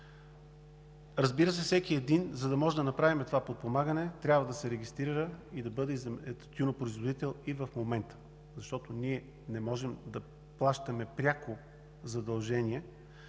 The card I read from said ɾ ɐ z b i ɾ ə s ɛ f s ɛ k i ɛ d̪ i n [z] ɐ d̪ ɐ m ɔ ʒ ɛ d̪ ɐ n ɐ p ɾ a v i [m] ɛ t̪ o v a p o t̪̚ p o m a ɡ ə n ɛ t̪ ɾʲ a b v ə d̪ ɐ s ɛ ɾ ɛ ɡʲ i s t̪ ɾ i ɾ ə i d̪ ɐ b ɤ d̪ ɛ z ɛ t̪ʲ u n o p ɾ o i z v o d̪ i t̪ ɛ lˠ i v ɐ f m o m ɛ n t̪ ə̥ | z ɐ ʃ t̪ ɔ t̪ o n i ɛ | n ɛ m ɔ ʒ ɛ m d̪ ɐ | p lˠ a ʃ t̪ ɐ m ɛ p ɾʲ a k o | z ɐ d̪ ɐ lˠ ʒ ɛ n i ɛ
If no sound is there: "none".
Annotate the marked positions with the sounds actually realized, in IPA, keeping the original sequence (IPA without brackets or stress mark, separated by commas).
z, m